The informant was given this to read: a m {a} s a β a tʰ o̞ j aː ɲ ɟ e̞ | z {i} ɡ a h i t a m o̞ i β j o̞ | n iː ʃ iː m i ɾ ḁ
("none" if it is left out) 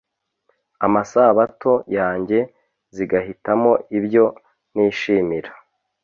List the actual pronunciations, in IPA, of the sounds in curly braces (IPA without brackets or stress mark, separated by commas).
a, i